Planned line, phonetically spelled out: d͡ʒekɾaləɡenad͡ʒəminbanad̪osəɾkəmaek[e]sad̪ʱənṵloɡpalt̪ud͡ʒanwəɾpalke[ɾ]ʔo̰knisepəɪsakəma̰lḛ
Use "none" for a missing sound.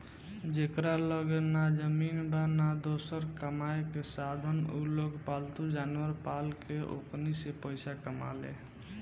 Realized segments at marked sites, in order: e, none

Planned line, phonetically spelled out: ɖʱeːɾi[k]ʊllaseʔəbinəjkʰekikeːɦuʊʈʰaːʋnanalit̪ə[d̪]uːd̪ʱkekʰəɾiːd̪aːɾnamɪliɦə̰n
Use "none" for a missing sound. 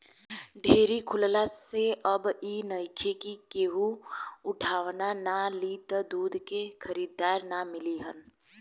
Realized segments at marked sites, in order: kʰ, d̪

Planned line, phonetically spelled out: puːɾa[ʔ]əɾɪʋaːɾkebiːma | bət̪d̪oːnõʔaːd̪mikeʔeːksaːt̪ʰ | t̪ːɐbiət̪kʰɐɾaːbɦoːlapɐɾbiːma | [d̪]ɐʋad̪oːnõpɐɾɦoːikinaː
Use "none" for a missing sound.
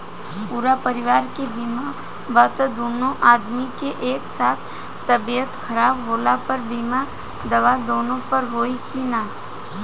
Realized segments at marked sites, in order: p, d̪

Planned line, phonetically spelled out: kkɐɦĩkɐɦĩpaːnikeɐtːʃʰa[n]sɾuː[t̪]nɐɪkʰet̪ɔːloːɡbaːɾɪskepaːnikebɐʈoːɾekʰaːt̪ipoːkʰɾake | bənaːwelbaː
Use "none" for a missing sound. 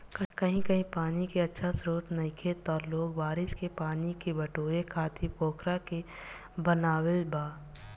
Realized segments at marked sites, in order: none, t̪

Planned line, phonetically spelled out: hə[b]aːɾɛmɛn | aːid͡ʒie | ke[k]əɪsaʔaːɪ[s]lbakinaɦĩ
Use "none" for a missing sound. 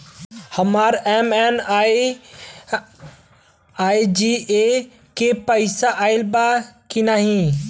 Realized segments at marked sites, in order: m, p, none

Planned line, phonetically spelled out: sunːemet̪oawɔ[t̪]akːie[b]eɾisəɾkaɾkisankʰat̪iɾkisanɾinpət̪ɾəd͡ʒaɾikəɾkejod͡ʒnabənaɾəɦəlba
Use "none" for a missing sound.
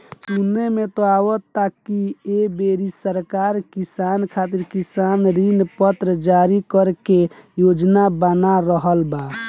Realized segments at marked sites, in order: t̪, b

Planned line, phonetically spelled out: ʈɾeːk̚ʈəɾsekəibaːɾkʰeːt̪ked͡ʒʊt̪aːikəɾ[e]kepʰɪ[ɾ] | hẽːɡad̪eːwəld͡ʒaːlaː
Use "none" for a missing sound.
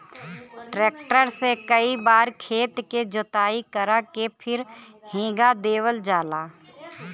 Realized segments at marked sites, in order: a, ɾ

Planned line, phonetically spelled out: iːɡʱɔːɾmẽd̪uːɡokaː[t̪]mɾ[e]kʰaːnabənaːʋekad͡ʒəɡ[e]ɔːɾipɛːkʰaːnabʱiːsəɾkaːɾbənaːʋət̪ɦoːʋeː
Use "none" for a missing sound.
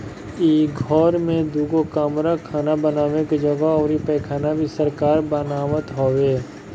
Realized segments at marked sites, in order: none, a, a

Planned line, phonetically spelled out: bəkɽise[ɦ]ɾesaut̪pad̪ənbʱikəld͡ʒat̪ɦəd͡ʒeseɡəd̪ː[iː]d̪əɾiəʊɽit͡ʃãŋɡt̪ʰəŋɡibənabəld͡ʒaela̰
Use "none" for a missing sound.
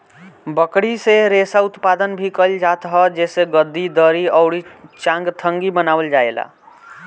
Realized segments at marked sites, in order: none, i

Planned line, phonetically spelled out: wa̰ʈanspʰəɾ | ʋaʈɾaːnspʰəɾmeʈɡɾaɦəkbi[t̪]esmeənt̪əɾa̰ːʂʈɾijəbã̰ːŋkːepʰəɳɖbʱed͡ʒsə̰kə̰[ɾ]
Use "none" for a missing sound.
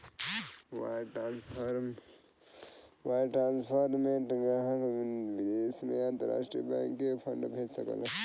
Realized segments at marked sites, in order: d̪, l

